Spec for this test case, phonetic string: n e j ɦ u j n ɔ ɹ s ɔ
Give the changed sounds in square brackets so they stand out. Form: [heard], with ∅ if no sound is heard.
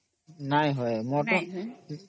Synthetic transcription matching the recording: n [a] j ɦ [ɔ] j [m] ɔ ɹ [t] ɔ